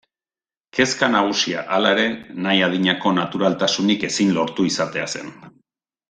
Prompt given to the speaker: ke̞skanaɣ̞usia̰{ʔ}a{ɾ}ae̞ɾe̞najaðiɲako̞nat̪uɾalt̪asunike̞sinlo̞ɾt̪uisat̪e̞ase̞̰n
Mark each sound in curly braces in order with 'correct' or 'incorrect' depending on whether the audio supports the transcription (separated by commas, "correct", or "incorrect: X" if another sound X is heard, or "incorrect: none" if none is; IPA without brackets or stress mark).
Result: correct, incorrect: l